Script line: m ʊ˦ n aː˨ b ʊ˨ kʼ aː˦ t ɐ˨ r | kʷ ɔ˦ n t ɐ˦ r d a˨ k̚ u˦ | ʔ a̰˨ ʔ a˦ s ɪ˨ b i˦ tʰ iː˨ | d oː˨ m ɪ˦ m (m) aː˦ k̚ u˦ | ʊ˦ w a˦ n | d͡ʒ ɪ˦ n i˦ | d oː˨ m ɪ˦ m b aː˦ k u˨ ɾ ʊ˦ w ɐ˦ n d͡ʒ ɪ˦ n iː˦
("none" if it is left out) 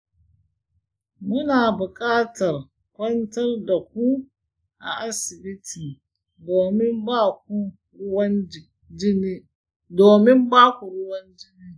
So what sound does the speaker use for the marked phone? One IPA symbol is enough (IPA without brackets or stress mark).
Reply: b